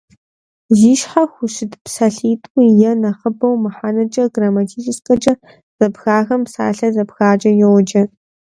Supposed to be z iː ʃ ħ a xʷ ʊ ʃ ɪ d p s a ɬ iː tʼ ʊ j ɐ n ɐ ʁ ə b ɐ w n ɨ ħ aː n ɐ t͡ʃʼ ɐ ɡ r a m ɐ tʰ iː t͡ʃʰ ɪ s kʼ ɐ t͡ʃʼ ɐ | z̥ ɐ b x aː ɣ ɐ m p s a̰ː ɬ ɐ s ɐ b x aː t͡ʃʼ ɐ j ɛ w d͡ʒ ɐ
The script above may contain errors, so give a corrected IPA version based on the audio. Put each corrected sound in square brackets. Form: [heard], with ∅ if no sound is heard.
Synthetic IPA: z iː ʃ ħ a xʷ ʊ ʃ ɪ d p s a ɬ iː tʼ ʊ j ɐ n ɐ [χ] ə b ɐ w [m] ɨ ħ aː n ɐ t͡ʃʼ ɐ ɡ r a m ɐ tʰ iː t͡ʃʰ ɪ s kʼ ɐ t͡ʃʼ ɐ | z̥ ɐ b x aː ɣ ɐ m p s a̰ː ɬ ɐ [z] ɐ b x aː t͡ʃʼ ɐ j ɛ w d͡ʒ ɐ